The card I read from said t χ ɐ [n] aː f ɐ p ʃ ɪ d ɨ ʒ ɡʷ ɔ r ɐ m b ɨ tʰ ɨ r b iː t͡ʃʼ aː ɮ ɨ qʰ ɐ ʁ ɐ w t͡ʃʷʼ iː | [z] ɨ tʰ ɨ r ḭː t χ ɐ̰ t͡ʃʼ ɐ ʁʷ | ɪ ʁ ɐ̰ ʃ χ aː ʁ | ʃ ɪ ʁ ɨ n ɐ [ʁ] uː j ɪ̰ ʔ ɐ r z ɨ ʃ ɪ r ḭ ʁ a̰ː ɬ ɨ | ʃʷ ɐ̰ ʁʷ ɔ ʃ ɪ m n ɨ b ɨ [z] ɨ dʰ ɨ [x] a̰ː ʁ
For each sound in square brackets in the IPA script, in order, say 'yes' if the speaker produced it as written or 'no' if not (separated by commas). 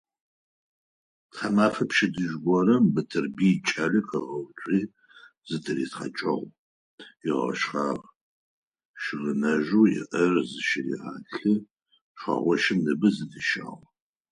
no, yes, no, yes, no